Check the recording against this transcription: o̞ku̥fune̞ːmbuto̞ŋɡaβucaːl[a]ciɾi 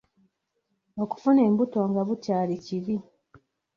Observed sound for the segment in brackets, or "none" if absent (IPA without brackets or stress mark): i